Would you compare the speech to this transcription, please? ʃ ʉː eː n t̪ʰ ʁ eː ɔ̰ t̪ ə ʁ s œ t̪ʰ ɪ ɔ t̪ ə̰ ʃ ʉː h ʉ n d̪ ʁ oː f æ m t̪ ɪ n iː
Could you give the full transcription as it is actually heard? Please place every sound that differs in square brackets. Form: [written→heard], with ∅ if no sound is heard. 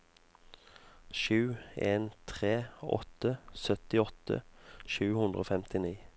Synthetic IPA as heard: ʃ ʉː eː n t̪ʰ ʁ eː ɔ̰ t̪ ə [ʁ→∅] s œ [t̪ʰ→t̪] ɪ ɔ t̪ ə̰ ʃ ʉː h ʉ n d̪ ʁ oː f [æ→ɛ] m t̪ ɪ n iː